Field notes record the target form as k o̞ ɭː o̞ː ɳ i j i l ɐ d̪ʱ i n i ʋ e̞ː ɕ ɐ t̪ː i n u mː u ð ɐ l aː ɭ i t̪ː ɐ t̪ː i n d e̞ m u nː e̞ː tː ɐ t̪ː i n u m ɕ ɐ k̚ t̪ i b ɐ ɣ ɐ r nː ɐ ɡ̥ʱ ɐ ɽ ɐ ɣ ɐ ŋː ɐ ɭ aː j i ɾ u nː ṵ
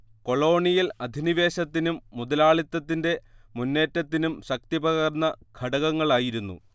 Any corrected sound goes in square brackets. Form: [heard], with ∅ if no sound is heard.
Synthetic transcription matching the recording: k o̞ [ɭ] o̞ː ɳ i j i l ɐ d̪ʱ i n i ʋ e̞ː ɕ ɐ t̪ː i n u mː u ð ɐ l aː ɭ i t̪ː ɐ t̪ː i n d e̞ m u nː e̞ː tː ɐ t̪ː i n u m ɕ ɐ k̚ t̪ i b ɐ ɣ ɐ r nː ɐ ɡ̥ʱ ɐ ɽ ɐ ɣ ɐ ŋː ɐ ɭ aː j i ɾ u nː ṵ